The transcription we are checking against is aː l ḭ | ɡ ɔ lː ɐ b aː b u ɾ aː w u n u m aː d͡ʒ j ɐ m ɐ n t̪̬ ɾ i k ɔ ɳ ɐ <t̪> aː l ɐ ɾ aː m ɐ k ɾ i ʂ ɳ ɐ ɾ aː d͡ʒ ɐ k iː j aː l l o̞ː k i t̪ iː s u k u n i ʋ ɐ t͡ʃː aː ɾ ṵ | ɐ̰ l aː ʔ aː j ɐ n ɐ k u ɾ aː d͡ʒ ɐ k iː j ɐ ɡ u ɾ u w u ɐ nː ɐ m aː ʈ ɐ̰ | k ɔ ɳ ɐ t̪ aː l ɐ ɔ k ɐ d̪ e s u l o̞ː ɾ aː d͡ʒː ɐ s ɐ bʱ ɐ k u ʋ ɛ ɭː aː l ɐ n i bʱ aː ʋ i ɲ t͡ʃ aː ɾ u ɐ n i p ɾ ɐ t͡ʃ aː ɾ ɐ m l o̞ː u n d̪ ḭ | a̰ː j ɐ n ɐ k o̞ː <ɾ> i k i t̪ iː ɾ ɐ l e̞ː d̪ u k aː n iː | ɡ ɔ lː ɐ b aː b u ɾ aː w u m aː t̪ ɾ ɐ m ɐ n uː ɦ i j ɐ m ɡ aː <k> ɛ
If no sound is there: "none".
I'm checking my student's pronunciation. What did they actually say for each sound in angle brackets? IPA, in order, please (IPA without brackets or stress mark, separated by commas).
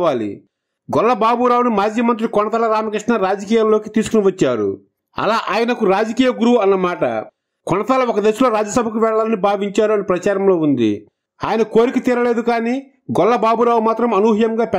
t̪, ɾ, p